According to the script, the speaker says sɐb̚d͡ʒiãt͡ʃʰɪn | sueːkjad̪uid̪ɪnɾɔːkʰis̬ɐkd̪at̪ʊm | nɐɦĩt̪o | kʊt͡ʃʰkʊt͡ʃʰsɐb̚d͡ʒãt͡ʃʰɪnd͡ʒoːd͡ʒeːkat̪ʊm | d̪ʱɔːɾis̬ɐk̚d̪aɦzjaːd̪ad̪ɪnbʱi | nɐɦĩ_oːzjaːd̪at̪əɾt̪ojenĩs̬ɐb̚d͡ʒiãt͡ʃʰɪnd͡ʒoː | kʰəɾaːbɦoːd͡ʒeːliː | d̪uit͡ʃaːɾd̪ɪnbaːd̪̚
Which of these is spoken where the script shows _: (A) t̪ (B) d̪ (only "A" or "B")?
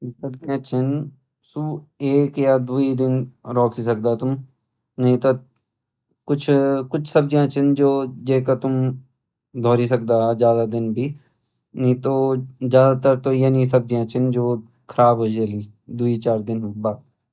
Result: A